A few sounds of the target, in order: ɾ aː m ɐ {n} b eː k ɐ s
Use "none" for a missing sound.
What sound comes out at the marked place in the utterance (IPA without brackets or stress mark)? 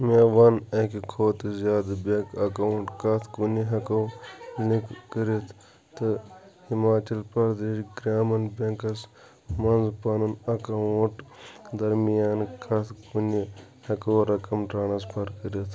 n